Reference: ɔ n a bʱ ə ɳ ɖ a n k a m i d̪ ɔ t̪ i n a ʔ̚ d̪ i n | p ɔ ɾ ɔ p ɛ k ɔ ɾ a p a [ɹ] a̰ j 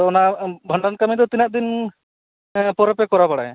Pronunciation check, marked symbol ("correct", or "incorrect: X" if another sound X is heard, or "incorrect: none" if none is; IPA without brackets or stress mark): incorrect: ɽ